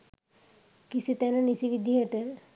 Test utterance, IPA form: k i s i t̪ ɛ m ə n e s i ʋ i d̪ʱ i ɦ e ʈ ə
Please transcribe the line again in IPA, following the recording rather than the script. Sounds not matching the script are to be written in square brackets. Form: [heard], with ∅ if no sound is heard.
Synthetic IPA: k i s i t̪ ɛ [n] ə n [i] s i ʋ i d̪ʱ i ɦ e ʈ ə